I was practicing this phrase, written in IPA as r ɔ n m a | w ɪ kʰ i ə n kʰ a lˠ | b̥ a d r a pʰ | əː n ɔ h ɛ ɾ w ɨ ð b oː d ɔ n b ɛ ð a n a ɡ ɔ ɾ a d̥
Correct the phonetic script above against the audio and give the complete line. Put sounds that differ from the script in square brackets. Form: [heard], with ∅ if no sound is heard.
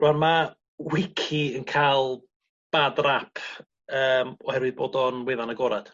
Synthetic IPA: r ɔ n m a | w ɪ kʰ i ə n kʰ a lˠ | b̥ a d r a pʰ | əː [m] ɔ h ɛ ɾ w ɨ ð b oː d ɔ n [w] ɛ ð a n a ɡ ɔ ɾ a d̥